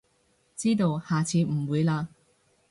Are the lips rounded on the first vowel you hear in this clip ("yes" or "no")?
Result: no